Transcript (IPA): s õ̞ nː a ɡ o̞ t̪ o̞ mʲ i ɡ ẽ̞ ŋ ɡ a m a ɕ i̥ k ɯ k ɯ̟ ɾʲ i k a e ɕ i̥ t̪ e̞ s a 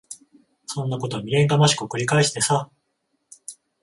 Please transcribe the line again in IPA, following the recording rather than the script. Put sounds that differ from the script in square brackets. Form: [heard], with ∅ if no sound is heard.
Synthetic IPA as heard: s õ̞ nː a [k] o̞ t̪ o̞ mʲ i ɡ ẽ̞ ŋ ɡ a m a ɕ i̥ k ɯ k ɯ̟ ɾʲ i k a e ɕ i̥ t̪ e̞ s a